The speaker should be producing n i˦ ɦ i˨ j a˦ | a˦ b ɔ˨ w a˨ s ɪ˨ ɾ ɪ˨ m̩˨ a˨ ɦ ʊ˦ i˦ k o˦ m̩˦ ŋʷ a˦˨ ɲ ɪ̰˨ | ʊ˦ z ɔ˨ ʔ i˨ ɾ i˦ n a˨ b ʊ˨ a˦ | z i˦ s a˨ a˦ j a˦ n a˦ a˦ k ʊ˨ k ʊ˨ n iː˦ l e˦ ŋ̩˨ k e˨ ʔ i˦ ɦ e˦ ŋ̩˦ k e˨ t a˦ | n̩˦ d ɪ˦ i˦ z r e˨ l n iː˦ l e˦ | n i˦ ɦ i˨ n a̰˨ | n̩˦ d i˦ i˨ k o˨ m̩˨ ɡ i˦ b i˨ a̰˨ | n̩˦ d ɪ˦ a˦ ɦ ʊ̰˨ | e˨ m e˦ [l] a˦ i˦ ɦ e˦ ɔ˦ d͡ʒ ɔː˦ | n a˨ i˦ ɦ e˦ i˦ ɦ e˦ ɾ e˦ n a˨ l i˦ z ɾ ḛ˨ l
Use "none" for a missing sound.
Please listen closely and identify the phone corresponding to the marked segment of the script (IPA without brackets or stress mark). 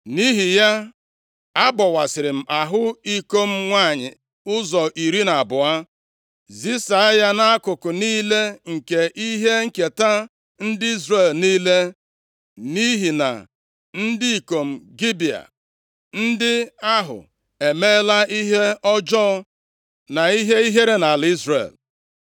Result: l